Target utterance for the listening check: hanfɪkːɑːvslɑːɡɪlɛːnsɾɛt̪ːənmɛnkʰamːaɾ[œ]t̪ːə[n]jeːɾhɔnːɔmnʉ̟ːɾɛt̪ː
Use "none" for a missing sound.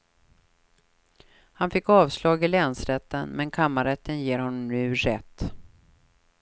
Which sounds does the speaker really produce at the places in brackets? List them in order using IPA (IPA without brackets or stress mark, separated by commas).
ɛ, n